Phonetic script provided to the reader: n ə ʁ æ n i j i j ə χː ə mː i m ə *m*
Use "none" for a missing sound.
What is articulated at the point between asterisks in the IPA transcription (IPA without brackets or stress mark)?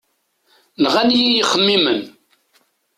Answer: n